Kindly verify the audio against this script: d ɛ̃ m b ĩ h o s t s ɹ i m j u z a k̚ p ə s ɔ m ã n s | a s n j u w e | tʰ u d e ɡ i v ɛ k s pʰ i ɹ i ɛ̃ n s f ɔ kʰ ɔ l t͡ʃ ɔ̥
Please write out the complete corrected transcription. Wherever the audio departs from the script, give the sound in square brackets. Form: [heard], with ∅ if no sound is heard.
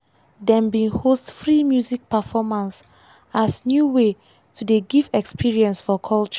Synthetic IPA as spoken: d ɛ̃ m b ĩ h o s t [f] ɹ i m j u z [i] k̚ p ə [f] ɔ m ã n s | a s n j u w e | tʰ u d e ɡ i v ɛ k s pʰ i ɹ i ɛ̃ n s f ɔ kʰ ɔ l t͡ʃ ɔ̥